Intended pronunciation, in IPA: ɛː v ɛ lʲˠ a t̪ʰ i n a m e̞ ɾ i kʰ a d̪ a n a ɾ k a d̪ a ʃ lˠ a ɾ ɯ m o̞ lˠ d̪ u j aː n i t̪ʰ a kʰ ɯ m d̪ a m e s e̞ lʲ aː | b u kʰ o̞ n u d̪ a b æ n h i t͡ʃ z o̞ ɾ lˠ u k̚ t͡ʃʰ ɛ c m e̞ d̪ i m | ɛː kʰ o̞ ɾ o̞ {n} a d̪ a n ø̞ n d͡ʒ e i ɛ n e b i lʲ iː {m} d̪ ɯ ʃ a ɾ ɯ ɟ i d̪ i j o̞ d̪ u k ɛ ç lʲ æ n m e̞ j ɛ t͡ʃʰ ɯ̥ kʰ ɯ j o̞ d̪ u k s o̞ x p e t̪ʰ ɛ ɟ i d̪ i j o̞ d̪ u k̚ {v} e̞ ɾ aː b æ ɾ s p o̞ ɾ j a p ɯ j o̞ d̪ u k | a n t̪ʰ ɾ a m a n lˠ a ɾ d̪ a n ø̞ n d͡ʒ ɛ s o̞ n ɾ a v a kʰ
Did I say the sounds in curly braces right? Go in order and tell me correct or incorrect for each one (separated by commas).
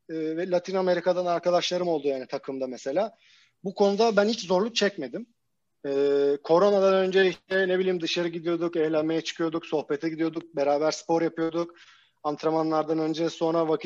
correct, correct, incorrect